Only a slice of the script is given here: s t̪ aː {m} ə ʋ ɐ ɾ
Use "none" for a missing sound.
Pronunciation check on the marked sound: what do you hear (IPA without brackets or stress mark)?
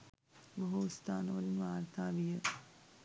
n